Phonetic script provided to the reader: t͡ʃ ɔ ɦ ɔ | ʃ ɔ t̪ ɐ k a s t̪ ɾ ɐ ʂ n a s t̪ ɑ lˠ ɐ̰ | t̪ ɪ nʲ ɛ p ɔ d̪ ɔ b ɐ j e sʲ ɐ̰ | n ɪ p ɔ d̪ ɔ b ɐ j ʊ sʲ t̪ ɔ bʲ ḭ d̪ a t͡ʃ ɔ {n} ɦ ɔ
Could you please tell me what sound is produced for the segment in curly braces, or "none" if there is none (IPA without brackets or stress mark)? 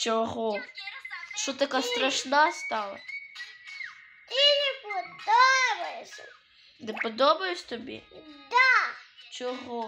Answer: none